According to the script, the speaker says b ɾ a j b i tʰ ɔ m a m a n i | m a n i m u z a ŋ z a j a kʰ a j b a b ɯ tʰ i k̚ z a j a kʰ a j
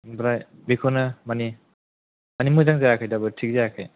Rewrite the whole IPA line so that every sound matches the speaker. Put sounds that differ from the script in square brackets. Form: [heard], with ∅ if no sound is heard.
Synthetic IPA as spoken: b ɾ a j b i [kʰ] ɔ [n] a m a n i | m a n i m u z a ŋ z a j a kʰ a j [d] a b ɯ tʰ i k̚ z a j a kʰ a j

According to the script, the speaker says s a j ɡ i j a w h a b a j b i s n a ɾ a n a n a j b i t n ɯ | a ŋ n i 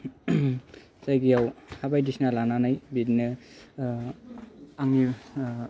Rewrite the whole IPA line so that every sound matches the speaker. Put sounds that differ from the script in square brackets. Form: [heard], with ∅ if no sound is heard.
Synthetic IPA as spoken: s a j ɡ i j a w h a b a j [d] i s n a [l] a n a n a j b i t n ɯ | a ŋ n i

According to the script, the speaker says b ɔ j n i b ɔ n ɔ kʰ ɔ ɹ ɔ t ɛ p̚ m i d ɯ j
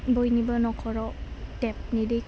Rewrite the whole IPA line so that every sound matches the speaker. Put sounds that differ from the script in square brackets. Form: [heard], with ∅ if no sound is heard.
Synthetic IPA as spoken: b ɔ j n i b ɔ n ɔ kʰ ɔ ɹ ɔ t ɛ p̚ [n] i d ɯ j

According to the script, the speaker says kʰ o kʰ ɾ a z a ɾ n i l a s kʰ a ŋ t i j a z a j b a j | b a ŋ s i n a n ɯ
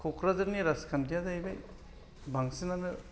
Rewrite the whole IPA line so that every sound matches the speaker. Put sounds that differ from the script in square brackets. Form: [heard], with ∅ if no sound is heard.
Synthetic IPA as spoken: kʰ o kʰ ɾ a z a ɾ n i [ɾ] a s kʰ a [n] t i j a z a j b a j | b a ŋ s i n a n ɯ

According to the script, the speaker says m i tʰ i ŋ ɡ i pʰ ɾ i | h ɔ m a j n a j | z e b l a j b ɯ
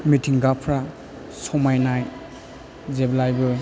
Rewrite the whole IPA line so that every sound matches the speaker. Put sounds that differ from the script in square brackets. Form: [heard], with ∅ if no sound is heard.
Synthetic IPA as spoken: m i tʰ i ŋ ɡ [a] pʰ ɾ [a] | [s] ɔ m a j n a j | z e b l a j b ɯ

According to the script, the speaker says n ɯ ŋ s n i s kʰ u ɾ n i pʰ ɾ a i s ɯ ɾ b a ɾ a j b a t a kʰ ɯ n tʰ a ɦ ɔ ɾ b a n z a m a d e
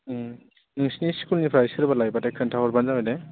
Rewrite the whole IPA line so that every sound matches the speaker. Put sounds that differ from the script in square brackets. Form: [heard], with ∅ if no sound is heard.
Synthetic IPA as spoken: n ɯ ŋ s n i s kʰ u [l] n i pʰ ɾ a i s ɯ ɾ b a [l] a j b a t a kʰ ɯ n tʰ a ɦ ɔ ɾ b a n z a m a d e

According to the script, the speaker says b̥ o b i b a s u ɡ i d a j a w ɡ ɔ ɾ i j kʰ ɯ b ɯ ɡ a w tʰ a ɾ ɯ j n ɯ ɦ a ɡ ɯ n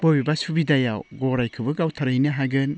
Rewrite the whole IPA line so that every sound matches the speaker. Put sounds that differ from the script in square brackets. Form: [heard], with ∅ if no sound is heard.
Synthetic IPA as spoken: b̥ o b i b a s u [b] i d a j a w ɡ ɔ ɾ [a] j kʰ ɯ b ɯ ɡ a w tʰ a ɾ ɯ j n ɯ ɦ a ɡ ɯ n

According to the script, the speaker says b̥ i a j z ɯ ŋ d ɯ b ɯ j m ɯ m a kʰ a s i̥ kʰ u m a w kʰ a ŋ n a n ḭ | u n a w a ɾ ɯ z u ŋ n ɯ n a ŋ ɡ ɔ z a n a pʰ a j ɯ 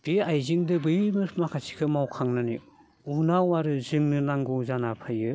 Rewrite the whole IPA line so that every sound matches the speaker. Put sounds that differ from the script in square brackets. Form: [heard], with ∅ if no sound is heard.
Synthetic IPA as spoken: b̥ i a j z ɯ ŋ d ɯ b ɯ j m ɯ m a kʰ a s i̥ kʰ [ɯ] m a w kʰ a ŋ n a n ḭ | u n a w a ɾ ɯ z [ɯ] ŋ n ɯ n a ŋ ɡ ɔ z a n a pʰ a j ɯ

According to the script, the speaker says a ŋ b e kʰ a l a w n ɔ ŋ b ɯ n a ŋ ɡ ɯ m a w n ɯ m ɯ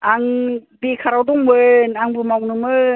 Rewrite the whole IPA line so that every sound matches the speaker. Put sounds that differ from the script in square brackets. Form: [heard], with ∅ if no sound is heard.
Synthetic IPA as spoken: a ŋ b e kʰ a [ɾ] a w [d] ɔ ŋ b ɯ n a ŋ [b] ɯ m a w n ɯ m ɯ

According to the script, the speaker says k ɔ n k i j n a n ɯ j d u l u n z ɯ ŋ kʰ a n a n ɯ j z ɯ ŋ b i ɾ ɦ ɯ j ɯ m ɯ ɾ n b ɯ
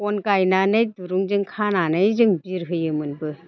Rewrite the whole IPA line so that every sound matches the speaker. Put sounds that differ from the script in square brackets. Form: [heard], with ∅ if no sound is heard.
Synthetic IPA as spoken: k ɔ n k [a] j n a n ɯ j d u [ɾ] u [ŋ] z ɯ ŋ kʰ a n a n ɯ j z ɯ ŋ b i ɾ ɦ ɯ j ɯ m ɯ [∅] n b ɯ

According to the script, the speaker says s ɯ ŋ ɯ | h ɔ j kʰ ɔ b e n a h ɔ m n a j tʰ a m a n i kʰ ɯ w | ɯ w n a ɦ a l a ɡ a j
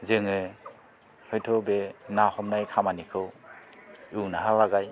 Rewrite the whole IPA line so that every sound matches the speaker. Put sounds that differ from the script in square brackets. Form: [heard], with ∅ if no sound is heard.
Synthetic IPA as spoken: [z] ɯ ŋ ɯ | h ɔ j [tʰ] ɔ b e n a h ɔ m n a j [kʰ] a m a n i kʰ ɯ w | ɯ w n a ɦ a l a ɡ a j

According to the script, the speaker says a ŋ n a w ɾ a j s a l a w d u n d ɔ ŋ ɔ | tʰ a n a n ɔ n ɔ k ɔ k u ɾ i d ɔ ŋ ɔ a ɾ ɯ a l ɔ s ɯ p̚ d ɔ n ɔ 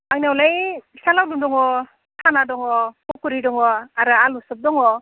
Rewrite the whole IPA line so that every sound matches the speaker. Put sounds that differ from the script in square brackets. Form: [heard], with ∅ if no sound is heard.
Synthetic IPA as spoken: a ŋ n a w [l] a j s a l a w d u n d ɔ ŋ ɔ | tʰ a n a [d] ɔ [ŋ] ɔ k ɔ k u ɾ i d ɔ ŋ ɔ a ɾ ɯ a l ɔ s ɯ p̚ d ɔ [ŋ] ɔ

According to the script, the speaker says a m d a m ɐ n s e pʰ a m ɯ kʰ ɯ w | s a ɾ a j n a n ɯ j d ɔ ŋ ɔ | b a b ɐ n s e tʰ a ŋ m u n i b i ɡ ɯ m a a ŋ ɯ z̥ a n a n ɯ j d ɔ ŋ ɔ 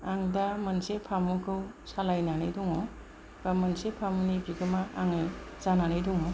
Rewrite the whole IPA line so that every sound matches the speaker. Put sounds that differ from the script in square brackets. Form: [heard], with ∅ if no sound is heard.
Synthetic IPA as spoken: a [ŋ] d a m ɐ n s e pʰ a m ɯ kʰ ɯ w | s a [l] a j n a n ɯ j d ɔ ŋ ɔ | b a [m] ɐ n s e [pʰ] a [∅] m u n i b i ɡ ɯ m a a ŋ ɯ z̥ a n a n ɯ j d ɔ ŋ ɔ

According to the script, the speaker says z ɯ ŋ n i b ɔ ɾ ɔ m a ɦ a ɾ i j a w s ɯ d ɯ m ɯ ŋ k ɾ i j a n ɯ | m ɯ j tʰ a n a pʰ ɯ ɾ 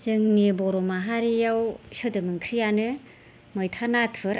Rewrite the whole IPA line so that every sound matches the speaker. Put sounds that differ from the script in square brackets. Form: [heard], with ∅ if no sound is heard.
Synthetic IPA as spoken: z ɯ ŋ n i b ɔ ɾ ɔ m a ɦ a ɾ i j a w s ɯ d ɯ m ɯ ŋ [kʰ] ɾ i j a n ɯ | m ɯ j tʰ a n a [tʰ] ɯ ɾ

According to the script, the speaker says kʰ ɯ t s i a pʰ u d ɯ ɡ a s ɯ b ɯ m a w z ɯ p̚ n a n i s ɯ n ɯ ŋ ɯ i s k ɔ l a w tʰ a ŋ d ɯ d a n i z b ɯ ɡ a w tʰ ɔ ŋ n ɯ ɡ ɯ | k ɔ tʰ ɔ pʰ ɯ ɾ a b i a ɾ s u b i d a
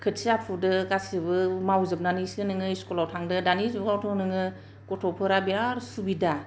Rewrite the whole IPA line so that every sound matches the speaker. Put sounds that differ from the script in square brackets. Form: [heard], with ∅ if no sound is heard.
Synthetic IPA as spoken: kʰ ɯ t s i a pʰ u d ɯ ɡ a s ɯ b ɯ m a w z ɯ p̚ n a n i s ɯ n ɯ ŋ ɯ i s k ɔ l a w tʰ a ŋ d ɯ d a n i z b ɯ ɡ a w tʰ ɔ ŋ n ɯ [ŋ] ɯ | k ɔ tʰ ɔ pʰ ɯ ɾ a b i a ɾ s u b i d a

